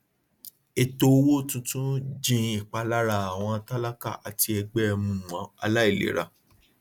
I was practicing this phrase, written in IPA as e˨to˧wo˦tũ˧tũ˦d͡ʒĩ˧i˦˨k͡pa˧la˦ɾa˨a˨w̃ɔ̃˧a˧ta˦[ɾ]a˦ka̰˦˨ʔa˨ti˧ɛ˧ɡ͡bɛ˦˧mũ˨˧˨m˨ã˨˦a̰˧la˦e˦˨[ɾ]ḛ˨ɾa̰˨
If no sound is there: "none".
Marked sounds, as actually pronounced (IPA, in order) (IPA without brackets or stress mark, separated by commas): l, l